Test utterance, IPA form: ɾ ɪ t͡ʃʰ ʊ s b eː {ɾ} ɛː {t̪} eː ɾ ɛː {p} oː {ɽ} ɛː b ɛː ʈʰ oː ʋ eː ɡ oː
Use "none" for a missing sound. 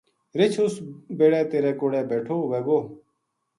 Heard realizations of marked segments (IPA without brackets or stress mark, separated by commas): ɽ, t̪, k, ɽ